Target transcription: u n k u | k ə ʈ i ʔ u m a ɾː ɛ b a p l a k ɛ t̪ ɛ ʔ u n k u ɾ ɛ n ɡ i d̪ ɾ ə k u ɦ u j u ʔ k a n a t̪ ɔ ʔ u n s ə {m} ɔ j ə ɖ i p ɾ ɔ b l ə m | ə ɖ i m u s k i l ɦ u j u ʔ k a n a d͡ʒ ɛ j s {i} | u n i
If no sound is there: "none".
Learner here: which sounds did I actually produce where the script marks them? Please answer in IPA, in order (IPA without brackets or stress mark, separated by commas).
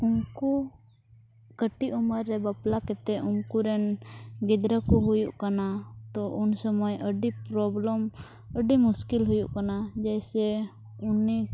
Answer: m, ɛ